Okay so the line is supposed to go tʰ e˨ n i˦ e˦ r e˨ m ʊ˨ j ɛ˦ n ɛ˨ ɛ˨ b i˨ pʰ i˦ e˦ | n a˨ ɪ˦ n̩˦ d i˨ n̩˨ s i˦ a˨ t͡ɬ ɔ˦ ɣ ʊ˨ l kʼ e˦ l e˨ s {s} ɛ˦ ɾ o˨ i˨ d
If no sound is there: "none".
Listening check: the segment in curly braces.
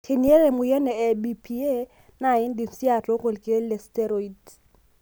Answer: t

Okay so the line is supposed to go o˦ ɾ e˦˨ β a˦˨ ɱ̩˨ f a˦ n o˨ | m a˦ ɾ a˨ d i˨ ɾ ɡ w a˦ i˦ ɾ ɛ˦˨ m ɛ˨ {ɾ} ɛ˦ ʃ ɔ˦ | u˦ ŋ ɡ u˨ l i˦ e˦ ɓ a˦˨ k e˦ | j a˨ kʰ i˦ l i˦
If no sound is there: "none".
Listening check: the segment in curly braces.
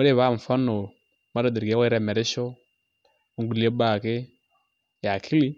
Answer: ɾ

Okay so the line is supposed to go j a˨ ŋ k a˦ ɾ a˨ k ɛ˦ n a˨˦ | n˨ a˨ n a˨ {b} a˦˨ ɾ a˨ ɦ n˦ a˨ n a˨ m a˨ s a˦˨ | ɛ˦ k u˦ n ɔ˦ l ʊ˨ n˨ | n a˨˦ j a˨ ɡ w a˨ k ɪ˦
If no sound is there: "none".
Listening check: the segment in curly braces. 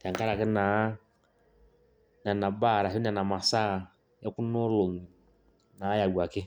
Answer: b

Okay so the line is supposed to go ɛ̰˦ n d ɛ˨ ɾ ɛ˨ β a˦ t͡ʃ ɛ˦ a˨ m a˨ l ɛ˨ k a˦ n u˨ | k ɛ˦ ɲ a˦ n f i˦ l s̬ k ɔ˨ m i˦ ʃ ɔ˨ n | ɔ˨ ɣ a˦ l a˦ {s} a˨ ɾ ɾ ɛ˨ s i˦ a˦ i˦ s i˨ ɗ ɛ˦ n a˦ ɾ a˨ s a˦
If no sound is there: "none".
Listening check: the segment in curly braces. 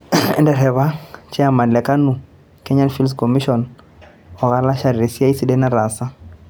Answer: ʃ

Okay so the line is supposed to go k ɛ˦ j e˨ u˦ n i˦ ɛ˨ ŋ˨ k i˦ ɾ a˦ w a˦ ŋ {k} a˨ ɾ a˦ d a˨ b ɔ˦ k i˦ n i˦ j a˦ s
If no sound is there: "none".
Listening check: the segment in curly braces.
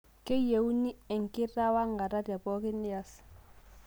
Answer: ɡ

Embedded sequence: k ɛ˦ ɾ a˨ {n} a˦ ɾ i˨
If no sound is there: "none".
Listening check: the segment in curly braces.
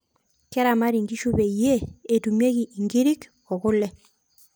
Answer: m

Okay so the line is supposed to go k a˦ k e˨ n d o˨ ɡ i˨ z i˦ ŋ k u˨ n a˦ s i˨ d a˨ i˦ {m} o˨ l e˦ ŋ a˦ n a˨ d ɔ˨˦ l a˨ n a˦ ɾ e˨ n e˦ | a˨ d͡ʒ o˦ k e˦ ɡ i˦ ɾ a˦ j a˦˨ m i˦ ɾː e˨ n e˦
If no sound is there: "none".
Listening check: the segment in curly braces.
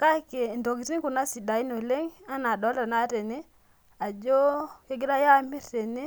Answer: n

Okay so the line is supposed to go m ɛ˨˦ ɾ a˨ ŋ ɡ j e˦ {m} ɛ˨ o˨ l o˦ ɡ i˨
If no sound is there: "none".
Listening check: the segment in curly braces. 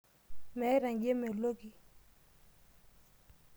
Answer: m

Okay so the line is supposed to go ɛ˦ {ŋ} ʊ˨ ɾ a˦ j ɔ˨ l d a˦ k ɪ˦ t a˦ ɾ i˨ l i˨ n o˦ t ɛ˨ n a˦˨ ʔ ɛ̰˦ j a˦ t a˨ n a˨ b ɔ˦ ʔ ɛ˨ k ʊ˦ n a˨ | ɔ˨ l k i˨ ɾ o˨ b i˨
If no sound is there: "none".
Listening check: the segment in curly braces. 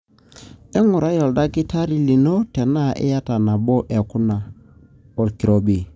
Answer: ŋ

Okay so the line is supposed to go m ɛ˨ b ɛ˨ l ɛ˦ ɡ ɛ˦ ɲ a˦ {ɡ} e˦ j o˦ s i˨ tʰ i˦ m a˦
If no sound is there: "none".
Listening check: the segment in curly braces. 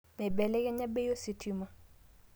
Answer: b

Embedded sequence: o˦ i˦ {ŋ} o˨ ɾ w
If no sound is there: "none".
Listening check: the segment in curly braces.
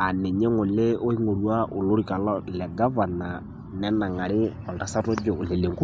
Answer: ŋ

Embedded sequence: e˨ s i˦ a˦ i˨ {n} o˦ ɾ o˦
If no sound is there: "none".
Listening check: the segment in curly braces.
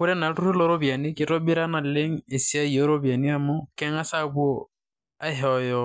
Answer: none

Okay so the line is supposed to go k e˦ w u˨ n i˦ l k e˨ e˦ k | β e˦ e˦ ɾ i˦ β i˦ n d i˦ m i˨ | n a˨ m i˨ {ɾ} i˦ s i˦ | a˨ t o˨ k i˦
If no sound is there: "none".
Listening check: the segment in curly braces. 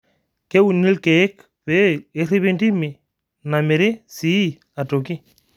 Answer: ɾ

